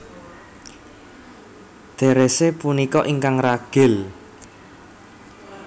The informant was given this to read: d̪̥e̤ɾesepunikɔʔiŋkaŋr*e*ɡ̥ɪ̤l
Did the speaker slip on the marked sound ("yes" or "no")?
yes